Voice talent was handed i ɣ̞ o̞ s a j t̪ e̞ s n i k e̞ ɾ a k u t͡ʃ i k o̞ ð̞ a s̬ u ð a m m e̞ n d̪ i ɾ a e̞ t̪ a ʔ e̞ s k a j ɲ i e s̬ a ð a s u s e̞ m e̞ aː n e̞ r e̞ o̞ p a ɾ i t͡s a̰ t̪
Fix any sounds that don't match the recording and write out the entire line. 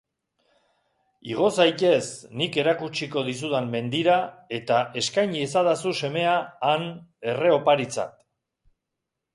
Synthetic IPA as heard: i ɣ̞ o̞ s a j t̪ e̞ s n i k e̞ ɾ a k u t͡ʃ i k o̞ ð̞ i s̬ u ð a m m e̞ n d̪ i ɾ a e̞ t̪ a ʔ e̞ s k a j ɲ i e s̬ a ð a s u s e̞ m e̞ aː n e̞ r e̞ o̞ p a ɾ i t͡s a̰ t̪